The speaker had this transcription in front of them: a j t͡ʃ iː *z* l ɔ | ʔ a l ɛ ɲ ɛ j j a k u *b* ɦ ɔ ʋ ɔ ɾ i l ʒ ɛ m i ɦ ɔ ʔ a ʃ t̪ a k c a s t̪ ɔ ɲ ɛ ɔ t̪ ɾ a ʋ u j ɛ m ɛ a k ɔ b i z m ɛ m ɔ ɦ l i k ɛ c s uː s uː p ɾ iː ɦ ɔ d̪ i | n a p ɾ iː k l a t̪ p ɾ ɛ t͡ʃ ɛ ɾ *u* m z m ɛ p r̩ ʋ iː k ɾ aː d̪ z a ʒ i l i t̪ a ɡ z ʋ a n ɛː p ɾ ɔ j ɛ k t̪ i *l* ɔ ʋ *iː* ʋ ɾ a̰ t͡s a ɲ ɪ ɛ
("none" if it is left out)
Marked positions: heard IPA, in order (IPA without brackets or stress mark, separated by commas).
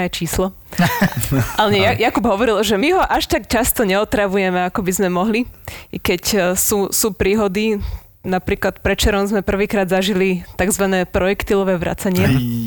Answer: s, b, ɔ, l, ɛː